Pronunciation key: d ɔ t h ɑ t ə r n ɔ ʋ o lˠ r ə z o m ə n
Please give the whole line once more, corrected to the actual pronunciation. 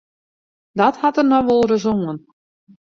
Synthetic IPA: d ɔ t h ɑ t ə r n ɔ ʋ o lˠ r ə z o ŋ ə n